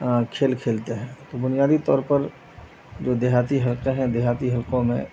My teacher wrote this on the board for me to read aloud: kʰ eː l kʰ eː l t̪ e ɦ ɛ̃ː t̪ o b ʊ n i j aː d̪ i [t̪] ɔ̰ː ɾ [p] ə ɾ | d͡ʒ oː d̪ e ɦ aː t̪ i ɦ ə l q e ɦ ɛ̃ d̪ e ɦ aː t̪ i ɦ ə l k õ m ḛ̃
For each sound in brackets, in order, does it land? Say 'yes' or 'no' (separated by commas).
yes, yes